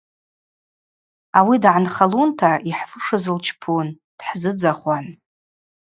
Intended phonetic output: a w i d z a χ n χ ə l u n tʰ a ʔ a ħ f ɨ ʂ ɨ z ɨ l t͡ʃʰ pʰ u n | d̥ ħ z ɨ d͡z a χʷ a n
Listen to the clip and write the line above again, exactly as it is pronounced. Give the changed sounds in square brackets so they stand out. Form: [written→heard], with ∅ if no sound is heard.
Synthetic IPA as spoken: a w i d [z→ʕ] a [χ→∅] n χ [ə→a] l u n tʰ a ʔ [a→i] ħ f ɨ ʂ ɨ z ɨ l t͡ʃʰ pʰ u n | d̥ ħ z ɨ d͡z a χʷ a n